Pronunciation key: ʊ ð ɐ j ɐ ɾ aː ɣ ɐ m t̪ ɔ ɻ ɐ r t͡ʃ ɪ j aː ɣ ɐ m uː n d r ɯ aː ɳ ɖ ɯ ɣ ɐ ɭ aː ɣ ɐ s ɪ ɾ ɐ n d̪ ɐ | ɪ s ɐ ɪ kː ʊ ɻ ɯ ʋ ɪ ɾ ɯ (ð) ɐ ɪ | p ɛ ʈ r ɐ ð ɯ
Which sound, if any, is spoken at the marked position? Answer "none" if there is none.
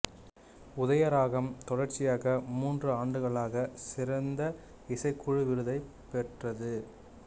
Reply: ð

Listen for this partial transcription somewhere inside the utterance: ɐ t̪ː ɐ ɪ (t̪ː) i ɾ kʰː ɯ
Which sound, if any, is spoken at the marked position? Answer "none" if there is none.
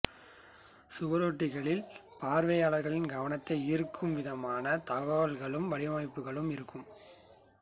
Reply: none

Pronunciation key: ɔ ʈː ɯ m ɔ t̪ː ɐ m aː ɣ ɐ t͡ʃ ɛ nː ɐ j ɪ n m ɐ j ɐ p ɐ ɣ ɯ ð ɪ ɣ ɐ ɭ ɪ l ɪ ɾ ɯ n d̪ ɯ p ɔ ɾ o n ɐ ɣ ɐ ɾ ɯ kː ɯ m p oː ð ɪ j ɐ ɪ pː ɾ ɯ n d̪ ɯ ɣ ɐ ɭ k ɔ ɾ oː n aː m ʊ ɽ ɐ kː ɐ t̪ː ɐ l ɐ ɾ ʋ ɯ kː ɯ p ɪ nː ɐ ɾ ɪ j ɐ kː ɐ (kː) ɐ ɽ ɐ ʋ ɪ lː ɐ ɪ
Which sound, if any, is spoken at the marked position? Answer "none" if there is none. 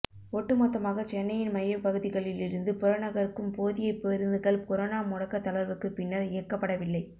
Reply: pː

